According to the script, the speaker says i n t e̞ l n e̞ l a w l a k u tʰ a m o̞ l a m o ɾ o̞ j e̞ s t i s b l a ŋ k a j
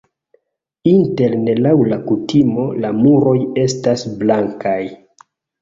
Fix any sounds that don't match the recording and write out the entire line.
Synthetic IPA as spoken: i n t e̞ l n e̞ l a w l a k u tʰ i m o̞ l a m u ɾ o̞ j e̞ s t a s b l a ŋ k a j